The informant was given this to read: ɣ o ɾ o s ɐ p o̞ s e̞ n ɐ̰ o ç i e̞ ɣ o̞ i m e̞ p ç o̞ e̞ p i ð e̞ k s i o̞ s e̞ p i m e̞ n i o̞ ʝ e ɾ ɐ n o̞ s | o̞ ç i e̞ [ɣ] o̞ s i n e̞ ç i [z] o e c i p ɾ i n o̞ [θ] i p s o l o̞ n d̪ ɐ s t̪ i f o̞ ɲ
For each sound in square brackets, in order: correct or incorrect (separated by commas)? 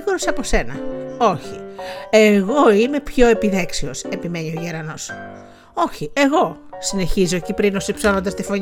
correct, correct, incorrect